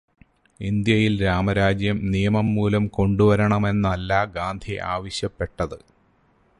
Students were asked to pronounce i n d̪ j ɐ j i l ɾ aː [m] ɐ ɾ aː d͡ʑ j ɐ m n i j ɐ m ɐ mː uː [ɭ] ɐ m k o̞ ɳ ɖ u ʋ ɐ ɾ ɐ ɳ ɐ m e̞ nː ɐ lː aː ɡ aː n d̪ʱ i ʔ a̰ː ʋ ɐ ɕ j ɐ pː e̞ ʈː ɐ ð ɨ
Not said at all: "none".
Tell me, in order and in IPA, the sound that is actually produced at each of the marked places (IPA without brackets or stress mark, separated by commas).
m, l